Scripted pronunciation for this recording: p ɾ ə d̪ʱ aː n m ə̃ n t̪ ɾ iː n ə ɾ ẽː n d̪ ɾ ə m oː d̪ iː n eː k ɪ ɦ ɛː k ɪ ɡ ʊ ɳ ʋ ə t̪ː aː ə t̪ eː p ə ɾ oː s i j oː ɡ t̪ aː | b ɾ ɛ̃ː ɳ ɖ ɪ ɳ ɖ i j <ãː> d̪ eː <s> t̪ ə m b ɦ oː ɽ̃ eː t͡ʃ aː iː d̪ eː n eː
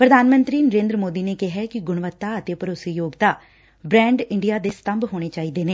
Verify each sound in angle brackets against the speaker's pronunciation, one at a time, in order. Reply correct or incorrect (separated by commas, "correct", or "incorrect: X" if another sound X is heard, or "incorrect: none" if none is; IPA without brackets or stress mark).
incorrect: aː, correct